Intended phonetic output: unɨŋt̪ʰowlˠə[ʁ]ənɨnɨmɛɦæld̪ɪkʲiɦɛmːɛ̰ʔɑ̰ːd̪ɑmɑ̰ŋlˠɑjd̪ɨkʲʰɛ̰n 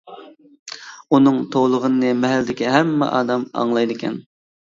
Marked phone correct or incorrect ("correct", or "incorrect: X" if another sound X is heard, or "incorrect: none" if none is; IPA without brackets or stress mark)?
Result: correct